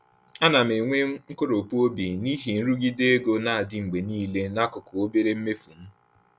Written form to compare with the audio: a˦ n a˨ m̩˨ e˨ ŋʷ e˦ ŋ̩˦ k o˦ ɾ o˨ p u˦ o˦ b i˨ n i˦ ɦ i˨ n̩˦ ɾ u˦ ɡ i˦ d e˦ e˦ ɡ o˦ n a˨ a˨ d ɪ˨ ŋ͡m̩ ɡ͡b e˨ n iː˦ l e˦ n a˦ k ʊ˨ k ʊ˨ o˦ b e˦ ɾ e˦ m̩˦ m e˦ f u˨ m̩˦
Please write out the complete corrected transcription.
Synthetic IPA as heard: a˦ n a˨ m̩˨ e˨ ŋʷ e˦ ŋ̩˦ k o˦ ɾ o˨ p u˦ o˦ b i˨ n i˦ ɦ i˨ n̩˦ ɾ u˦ ɡ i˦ d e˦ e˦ ɡ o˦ n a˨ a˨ d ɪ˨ ŋ͡m̩ ɡ͡b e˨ n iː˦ l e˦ n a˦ k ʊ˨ k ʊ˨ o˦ b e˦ ɾ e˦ m̩˦ m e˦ f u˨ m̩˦